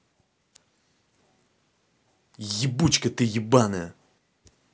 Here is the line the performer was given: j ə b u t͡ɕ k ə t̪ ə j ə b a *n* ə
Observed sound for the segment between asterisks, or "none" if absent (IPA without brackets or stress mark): n